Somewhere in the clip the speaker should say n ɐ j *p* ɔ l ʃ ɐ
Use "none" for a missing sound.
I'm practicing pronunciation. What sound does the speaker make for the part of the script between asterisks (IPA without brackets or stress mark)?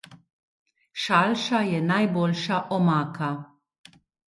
b